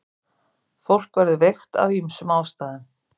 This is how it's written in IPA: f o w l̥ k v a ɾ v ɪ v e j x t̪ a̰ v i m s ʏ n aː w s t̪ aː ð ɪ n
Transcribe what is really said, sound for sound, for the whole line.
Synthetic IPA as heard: f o w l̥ k v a ɾ ð ɪ v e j x t̪ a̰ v i m s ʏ m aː w s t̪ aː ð ɪ n